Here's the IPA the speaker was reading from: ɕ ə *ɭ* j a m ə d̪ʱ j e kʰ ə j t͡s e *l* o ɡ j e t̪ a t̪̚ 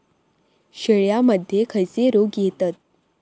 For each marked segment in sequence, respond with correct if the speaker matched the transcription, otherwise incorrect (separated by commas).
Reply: correct, incorrect